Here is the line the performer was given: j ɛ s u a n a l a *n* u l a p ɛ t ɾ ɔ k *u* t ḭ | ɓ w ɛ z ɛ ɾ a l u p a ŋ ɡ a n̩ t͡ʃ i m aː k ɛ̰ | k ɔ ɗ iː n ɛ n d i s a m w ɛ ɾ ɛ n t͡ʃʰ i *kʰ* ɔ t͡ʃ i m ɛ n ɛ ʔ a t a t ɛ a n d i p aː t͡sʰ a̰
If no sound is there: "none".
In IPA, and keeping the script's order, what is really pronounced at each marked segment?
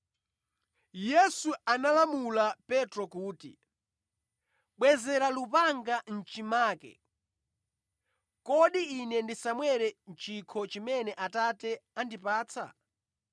m, uː, kʰ

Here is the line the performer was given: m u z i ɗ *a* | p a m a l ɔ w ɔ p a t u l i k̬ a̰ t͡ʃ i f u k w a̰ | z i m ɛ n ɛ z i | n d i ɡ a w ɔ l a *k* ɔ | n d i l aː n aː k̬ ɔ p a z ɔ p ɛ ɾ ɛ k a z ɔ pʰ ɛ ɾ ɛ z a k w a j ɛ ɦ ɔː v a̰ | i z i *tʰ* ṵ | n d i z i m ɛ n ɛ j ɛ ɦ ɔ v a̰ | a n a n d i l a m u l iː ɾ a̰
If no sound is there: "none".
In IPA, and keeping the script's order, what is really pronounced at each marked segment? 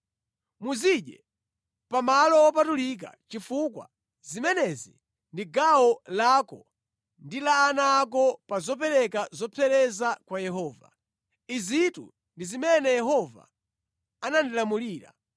ɛ, k, t

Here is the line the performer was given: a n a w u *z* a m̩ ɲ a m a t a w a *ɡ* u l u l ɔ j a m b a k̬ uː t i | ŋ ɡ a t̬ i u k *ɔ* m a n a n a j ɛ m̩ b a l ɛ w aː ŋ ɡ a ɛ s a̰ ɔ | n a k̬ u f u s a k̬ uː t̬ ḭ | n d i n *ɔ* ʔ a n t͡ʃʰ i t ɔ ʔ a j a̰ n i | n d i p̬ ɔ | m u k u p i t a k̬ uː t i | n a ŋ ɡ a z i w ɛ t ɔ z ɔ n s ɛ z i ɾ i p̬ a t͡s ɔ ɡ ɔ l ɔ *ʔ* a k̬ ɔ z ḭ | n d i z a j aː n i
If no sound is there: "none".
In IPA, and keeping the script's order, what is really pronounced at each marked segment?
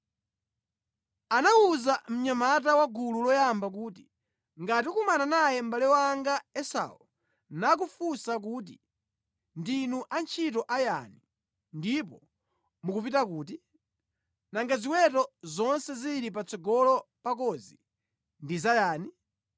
z, ɡ, u, u, p

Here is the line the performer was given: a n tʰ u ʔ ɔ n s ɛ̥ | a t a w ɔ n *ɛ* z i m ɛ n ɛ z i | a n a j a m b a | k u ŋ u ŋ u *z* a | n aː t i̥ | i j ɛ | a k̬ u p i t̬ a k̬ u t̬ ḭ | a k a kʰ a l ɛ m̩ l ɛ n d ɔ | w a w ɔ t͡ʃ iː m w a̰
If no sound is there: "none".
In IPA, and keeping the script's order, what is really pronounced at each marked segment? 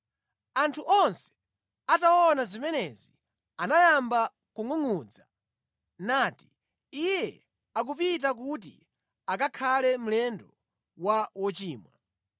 a, d͡z

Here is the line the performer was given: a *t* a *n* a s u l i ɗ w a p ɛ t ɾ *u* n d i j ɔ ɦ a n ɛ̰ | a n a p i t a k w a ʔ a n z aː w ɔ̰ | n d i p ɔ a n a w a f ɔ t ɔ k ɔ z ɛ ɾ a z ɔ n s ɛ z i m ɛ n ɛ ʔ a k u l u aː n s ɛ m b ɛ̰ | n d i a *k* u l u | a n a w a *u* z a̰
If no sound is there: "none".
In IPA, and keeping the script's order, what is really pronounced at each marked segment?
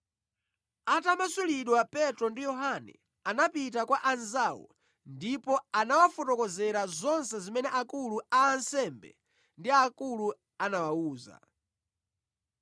t, m, ɔ, k, uː

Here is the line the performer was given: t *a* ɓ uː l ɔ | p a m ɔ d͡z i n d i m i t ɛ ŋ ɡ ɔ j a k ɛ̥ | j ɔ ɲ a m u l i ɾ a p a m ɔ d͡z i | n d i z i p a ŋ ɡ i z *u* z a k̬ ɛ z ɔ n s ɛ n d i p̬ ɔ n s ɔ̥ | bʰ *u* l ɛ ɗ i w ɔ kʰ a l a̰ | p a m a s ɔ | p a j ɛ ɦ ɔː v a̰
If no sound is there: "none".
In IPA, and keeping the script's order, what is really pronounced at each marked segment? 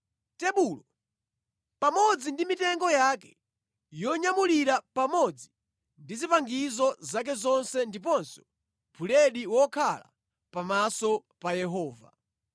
ɛ, ɔ, u

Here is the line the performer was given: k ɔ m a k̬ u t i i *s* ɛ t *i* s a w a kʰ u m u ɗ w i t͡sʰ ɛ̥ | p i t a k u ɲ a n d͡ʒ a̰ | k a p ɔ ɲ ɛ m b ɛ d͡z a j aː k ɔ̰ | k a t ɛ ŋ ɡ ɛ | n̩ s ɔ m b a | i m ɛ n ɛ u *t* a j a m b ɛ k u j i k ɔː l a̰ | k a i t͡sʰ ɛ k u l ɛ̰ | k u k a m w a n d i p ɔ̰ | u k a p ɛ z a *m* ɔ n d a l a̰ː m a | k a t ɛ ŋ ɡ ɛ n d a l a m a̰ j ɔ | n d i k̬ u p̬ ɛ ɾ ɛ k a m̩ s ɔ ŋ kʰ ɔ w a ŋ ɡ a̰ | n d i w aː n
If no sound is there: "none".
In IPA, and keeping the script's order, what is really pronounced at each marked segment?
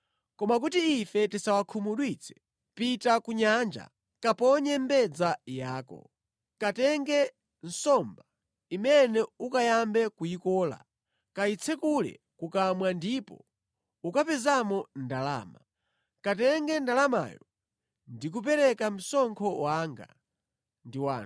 f, i, k, m

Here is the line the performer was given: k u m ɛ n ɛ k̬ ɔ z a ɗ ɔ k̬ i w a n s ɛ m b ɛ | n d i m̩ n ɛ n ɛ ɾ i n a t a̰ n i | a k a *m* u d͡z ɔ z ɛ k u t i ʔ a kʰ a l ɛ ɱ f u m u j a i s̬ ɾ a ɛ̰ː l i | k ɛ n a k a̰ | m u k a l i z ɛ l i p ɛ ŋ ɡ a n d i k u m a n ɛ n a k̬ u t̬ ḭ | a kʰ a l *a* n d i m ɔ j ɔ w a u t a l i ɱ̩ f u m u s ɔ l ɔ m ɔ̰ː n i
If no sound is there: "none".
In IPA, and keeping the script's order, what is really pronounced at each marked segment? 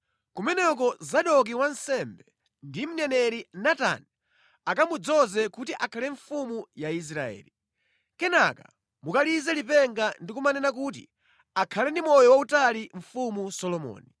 m, ɛ

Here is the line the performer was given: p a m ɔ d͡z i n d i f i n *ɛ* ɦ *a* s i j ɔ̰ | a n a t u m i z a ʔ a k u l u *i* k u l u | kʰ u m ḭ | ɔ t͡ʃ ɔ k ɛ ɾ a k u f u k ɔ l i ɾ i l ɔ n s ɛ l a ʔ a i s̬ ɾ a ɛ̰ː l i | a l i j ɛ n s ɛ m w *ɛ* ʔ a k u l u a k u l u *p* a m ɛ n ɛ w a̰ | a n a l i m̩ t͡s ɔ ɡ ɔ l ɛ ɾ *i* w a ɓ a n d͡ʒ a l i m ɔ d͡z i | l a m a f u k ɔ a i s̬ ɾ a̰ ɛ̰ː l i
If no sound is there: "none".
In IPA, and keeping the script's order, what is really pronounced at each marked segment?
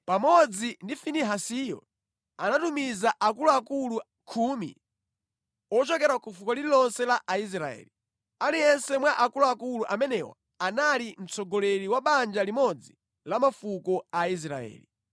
i, a, a, a, ʔ, i

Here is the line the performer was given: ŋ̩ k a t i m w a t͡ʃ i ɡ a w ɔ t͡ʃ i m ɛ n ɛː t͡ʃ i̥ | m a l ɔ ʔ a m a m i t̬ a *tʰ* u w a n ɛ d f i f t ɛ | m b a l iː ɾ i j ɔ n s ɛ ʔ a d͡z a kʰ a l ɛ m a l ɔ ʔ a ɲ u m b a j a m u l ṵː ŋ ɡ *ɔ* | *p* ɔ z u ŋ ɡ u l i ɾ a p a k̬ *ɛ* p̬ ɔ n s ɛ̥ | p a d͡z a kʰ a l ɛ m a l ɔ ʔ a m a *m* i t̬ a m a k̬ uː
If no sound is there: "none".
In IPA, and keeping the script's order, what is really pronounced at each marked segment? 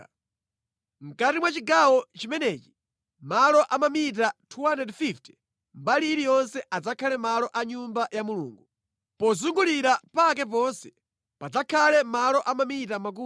tʰ, u, p, ɛ, m

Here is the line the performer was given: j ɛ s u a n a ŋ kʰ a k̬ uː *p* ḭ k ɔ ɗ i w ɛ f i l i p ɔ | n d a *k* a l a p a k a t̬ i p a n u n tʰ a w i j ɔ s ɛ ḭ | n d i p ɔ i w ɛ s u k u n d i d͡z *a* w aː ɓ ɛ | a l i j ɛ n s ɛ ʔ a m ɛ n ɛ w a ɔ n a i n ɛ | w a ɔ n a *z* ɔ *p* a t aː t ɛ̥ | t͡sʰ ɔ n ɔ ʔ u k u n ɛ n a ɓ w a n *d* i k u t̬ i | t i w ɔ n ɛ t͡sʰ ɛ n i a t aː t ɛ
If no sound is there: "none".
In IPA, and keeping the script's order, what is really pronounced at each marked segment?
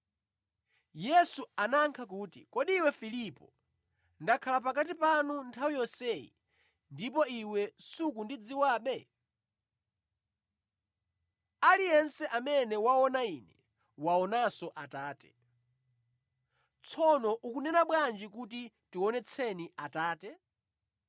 t, kʰ, i, s, ʔ, d͡ʒ

